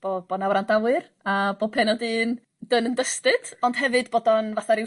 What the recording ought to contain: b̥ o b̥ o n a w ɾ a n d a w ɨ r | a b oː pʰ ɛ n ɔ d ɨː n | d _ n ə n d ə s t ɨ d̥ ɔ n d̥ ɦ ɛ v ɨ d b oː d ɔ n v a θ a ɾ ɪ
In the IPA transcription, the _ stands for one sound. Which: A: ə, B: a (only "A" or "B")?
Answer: A